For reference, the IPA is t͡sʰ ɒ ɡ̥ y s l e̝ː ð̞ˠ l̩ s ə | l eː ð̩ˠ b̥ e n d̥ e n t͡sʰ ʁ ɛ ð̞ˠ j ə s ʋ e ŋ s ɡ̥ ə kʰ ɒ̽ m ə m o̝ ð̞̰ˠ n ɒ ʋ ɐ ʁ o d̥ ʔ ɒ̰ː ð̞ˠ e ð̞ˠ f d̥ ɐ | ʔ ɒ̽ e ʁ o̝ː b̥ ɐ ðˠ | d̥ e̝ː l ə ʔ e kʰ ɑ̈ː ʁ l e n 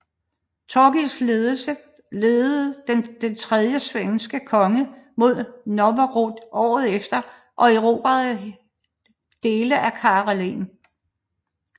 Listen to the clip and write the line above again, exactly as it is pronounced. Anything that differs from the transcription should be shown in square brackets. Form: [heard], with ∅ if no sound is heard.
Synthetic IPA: t͡sʰ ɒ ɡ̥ [i] s l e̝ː ð̞ˠ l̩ s ə | l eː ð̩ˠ [d̥] e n d̥ e n t͡sʰ ʁ ɛ ð̞ˠ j ə s ʋ e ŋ s ɡ̥ ə kʰ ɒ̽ [ŋ] ə m o̝ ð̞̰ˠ n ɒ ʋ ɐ ʁ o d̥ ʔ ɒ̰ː ð̞ˠ e [∅] f d̥ ɐ | ʔ ɒ̽ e ʁ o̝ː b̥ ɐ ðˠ | d̥ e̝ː l ə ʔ [æ] kʰ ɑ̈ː ʁ l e n